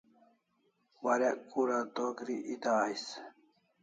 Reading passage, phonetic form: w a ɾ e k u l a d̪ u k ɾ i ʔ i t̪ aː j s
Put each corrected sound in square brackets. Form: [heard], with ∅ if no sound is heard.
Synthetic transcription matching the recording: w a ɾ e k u [ɾ] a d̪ [o] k ɾ i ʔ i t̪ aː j s